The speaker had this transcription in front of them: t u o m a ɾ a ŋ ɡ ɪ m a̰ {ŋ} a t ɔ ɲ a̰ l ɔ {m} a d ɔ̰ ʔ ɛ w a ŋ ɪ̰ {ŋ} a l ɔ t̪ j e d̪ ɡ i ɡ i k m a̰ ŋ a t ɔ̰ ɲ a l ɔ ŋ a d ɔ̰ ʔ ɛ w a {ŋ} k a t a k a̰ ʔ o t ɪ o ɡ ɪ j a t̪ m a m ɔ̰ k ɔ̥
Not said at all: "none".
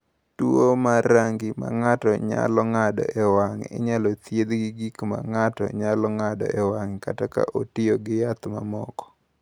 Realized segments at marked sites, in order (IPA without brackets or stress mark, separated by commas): ŋ, ŋ, ɲ, ŋ